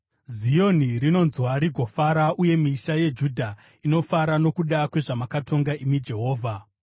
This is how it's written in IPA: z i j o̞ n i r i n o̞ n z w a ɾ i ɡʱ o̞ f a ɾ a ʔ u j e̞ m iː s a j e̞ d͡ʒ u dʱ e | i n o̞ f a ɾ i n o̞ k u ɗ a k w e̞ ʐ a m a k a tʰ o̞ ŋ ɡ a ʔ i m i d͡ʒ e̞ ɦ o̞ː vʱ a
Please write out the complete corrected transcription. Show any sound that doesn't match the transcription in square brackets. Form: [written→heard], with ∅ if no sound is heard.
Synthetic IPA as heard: z i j o̞ n i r i n o̞ n z w a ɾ i ɡʱ o̞ f a ɾ a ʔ u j e̞ m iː [s→ʃ] a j e̞ d͡ʒ u dʱ [e→a] | i n o̞ f a ɾ [i→a] n o̞ k u ɗ a k w e̞ ʐ a m a k a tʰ o̞ ŋ ɡ a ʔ i m i d͡ʒ e̞ ɦ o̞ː vʱ a

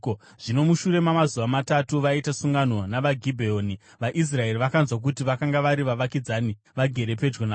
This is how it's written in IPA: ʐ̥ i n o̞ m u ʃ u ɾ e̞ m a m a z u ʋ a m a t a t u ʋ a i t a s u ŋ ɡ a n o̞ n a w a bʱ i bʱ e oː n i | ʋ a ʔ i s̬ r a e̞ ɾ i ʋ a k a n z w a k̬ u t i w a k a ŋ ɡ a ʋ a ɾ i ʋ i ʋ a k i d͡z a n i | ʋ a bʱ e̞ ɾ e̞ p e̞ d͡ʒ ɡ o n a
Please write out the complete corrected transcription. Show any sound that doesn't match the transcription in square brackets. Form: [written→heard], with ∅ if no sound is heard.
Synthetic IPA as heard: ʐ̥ i n o̞ m u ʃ u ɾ e̞ m a m a z u ʋ a m a t a t u ʋ a i t a s u ŋ ɡ a n o̞ n a [w→ʋ] a [bʱ→ɡʱ] i bʱ e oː n i | ʋ a ʔ i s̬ r a e̞ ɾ i ʋ a k a n z w a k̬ u t i [w→ʋ] a k a ŋ ɡ a ʋ a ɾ i ʋ [i→a] ʋ a k i d͡z a n i | ʋ a [bʱ→ɡʱ] e̞ ɾ e̞ p e̞ d͡ʒ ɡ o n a

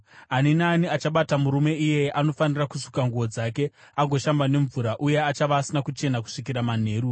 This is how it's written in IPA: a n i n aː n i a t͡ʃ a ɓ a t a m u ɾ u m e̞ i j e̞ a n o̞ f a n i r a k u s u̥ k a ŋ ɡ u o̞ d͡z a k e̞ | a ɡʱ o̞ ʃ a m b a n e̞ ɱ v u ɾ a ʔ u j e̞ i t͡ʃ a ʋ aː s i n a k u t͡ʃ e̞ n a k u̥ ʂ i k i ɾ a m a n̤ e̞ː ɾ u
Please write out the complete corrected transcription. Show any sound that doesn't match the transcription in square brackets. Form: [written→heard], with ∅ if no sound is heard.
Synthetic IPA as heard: a n i n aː n i a t͡ʃ a ɓ a t a m u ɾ u m e̞ i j e̞ a n o̞ f a n i r a k u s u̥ k a ŋ ɡ u o̞ d͡z a k e̞ | a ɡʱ o̞ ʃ a m b a n e̞ ɱ v u ɾ a ʔ u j e̞ [i→a] t͡ʃ a ʋ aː s i n a k u t͡ʃ e̞ n a k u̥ ʂ i k i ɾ a m a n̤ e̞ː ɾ u

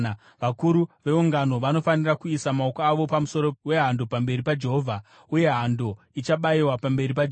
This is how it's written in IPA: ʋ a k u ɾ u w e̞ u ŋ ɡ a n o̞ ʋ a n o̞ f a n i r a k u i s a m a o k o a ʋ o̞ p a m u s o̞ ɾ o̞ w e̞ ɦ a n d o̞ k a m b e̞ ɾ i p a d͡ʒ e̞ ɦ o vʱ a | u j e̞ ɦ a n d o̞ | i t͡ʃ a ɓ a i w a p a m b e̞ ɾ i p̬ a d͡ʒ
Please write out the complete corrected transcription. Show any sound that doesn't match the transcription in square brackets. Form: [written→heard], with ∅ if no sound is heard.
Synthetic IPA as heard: ʋ a k u ɾ u [w→ʋ] e̞ u ŋ ɡ a n o̞ ʋ a n o̞ f a n i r a k u i s a m a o k o a ʋ o̞ p a m u s o̞ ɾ o̞ w e̞ ɦ a n d o̞ [k→p] a m b e̞ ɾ i p a d͡ʒ e̞ ɦ o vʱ a | u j e̞ ɦ a n d o̞ | i t͡ʃ a ɓ a i w a p a m b e̞ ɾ i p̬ a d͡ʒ

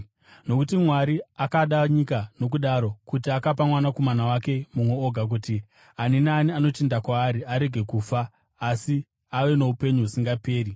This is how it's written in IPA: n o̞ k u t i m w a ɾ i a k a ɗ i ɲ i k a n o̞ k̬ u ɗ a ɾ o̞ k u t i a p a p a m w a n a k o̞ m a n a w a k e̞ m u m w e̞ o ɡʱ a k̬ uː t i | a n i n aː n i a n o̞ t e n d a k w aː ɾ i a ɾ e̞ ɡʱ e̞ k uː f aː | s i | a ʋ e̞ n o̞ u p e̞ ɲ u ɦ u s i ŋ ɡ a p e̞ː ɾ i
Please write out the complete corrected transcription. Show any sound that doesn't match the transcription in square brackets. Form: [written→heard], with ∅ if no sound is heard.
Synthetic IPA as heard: n o̞ k u t i m w a ɾ i a k a ɗ [i→a] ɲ i k a n o̞ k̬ u ɗ a ɾ o̞ k u t i a [p→k] a p a m w a n a k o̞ m a n a w a k e̞ m u m w e̞ o ɡʱ a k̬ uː t i | a n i n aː n i a n o̞ t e n d a k w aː ɾ i a ɾ e̞ ɡʱ e̞ k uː f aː | s i | a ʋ e̞ n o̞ u p e̞ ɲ u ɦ u s i ŋ ɡ a p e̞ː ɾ i

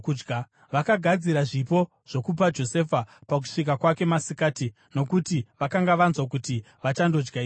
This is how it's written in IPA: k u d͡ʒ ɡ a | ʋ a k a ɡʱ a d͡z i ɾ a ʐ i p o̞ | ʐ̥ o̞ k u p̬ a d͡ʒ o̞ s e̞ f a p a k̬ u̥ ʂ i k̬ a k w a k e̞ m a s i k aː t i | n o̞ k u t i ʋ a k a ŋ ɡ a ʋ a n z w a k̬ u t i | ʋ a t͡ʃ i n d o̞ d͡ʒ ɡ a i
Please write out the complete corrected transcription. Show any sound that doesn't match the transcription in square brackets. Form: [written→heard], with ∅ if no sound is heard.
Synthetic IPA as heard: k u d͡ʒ ɡ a | ʋ a k a ɡʱ a d͡z i ɾ a ʐ i p o̞ | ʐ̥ o̞ k u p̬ a d͡ʒ o̞ s e̞ f a p a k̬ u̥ ʂ i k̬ a k w a k e̞ m a s i k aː t i | n o̞ k u t i ʋ a k a ŋ ɡ a ʋ a n z w a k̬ u t i | ʋ a t͡ʃ [i→a] n d o̞ d͡ʒ ɡ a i

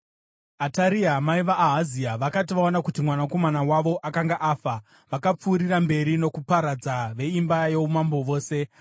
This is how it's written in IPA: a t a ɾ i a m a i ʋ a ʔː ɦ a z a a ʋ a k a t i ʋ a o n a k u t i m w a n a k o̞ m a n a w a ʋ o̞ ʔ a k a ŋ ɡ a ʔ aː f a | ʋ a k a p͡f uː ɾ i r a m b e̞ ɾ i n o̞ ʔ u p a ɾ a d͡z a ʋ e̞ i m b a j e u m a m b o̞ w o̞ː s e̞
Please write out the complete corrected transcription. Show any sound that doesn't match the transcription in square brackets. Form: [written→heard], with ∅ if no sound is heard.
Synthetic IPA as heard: a t a ɾ i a m a i ʋ a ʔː ɦ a z [a→i] a ʋ a k a t i ʋ a o n a k u t i m w a n a k o̞ m a n a w a ʋ o̞ ʔ a k a ŋ ɡ a ʔ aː f a | ʋ a k a p͡f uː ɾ i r a m b e̞ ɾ i n o̞ [ʔ→k] u p a ɾ a d͡z a ʋ e̞ i m b a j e u m a m b o̞ [w→ʋ] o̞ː s e̞

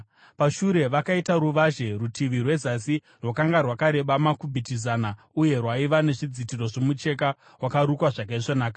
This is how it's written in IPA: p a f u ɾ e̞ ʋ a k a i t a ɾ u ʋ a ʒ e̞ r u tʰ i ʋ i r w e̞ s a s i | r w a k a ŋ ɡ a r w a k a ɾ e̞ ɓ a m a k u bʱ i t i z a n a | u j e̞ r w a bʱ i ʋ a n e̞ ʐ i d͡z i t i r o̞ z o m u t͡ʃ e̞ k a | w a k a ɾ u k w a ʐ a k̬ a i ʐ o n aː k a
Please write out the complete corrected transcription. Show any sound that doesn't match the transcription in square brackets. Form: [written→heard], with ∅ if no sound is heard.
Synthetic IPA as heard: p a [f→ʃ] u ɾ e̞ ʋ a k a i t a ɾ u ʋ a ʒ e̞ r u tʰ i ʋ i r w e̞ [s→z] a s i | r w a k a ŋ ɡ a r w a k a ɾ e̞ ɓ a m a k u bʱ i t i z a n a | u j e̞ r w a [bʱ→∅] i ʋ a n e̞ ʐ i d͡z i t i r o̞ [z→ʐ] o m u t͡ʃ e̞ k a | w a k a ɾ u k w a ʐ a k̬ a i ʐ o n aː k a

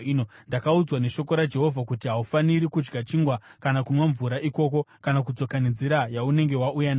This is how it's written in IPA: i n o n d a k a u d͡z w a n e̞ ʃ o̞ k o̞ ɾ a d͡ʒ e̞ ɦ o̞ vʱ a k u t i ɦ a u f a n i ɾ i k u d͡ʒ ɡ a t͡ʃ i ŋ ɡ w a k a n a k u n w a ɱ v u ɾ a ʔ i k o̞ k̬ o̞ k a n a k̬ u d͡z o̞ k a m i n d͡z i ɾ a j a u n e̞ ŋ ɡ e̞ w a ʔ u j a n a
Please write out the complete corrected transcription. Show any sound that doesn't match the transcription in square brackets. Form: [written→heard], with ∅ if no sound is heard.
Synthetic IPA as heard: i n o n d a k a u d͡z w a n e̞ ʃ o̞ k o̞ ɾ a d͡ʒ e̞ ɦ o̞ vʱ a k u t i ɦ a u f a n i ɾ i k u d͡ʒ ɡ a t͡ʃ i ŋ ɡ w a k a n a k u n w a ɱ v u ɾ a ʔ i k o̞ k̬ o̞ k a n a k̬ u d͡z o̞ k a [m→n] i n d͡z i ɾ a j a u n e̞ ŋ ɡ e̞ w a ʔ u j a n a

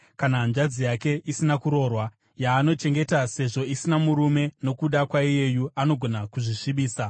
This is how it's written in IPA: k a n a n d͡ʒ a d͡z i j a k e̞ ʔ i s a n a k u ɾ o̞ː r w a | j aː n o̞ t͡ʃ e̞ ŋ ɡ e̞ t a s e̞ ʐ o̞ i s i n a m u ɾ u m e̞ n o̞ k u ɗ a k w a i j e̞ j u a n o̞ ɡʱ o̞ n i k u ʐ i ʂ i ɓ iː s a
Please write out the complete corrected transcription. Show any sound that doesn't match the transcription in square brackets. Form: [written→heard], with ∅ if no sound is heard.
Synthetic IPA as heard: k a n a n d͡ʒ a d͡z i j a k e̞ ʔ i s [a→i] n a k u ɾ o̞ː r w a | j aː n o̞ t͡ʃ e̞ ŋ ɡ e̞ t a s e̞ ʐ o̞ i s i n a m u ɾ u m e̞ n o̞ k u ɗ a k w a i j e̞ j u a n o̞ ɡʱ o̞ n [i→a] k u ʐ i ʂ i ɓ iː s a

